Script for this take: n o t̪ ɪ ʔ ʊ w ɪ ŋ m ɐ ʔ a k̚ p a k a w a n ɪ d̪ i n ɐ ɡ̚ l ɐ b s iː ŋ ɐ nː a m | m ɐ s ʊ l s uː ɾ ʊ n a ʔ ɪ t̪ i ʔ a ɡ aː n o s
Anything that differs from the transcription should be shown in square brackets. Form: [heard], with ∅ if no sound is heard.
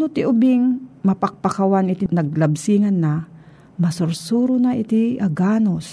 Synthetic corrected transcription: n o t̪ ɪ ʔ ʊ [b] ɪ ŋ m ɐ [p] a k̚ p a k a w a n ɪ [t̪] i n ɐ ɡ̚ l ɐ b s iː ŋ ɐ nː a [∅] | m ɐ s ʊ [ɾ] s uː ɾ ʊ n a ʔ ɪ t̪ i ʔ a ɡ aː n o s